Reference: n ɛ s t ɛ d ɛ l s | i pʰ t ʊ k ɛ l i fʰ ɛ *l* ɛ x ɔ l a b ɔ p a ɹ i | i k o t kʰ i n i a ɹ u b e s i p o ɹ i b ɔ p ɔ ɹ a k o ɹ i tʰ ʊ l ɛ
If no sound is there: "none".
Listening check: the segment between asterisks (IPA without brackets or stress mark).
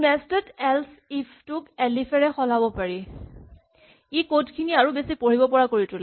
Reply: ɹ